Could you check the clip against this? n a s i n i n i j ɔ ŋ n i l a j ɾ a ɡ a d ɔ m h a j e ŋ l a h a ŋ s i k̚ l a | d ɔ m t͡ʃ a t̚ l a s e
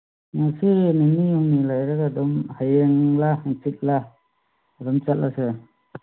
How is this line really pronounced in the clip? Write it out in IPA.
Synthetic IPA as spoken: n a s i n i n i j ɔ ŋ n i l a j ɾ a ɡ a d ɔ m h a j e ŋ l a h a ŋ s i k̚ l a | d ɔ m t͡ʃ a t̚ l a s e

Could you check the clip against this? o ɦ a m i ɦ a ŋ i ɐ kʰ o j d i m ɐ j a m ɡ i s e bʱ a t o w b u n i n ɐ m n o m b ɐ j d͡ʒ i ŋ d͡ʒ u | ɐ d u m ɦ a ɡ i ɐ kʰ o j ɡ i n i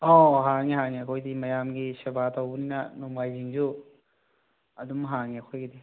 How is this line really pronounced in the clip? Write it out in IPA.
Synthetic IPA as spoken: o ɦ a ŋ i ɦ a ŋ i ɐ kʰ o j d i m ɐ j a m ɡ i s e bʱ a t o w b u n i n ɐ n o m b a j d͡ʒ i ŋ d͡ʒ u | ɐ d u m ɦ a ŋ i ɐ kʰ o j ɡ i d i

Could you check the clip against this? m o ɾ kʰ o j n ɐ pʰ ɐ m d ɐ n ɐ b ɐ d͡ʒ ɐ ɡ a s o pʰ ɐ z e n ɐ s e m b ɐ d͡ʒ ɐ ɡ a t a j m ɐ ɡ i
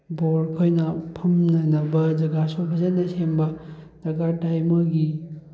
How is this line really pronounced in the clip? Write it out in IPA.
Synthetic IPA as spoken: b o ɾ kʰ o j n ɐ pʰ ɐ m n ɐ n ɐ b ɐ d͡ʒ ɐ ɡ a s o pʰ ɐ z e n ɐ s e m b ɐ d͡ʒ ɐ ɡ a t a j m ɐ ɡ i

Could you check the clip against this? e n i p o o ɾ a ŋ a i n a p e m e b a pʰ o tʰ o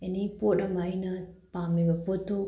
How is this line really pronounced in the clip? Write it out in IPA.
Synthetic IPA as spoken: e n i p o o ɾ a m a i n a p a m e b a p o t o

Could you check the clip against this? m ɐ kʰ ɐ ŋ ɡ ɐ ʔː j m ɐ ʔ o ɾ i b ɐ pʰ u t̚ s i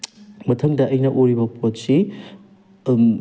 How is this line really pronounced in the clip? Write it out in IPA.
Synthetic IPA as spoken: m ɐ tʰ ɐ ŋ d ɐ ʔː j n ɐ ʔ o ɾ i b ɐ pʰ o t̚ s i

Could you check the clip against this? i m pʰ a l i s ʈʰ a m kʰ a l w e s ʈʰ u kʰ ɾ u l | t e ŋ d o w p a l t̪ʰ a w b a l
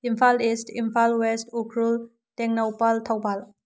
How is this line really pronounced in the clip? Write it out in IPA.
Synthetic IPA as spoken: i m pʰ a l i s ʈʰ i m pʰ a l w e s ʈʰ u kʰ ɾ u l | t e ŋ n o w p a l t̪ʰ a w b a l

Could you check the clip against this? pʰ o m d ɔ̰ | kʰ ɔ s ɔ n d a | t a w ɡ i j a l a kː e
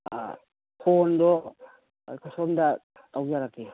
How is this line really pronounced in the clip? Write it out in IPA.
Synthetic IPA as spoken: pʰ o n d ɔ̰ | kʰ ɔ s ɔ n d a | t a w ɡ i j a ɾ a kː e

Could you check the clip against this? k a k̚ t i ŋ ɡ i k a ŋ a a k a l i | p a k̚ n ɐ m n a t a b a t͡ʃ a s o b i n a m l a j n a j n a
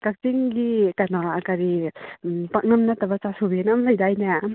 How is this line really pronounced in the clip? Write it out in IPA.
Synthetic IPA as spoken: k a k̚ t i ŋ ɡ i k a n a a k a ɾ i | p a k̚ n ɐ m n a t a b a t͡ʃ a s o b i n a m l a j d a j n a

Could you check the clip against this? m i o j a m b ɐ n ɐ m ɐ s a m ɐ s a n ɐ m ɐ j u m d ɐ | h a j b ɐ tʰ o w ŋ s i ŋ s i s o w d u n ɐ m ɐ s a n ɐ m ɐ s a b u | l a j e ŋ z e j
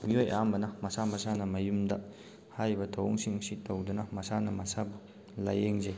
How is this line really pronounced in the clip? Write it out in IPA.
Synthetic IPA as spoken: m i o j a m b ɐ n ɐ m ɐ s a m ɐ s a n ɐ m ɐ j u m d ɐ | h a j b ɐ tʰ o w ŋ s i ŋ s i t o w d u n ɐ m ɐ s a n ɐ m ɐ s a b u | l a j e ŋ z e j

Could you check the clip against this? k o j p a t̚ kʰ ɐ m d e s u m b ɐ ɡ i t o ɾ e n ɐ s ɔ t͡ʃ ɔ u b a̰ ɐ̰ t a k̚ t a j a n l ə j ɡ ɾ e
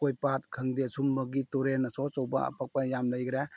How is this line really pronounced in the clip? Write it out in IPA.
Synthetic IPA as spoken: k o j p a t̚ kʰ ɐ ŋ d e s u m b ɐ ɡ i t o ɾ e n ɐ s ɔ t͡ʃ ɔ w b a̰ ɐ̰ p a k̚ p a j a m l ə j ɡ ɾ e

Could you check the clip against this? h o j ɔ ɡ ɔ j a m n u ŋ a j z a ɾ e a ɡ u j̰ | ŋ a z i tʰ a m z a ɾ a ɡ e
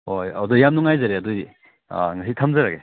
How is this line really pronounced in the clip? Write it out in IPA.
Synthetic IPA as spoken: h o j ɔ d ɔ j a m n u ŋ a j z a ɾ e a d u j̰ | ŋ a s i tʰ a m z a ɾ a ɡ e

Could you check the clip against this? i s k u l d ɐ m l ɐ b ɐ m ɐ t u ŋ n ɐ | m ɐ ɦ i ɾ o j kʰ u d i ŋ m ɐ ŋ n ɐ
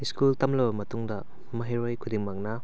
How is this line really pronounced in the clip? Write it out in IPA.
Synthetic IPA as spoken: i s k u l t ɐ m l ɐ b ɐ m ɐ t u ŋ d ɐ | m ɐ ɦ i ɾ o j kʰ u d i ŋ m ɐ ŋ n ɐ

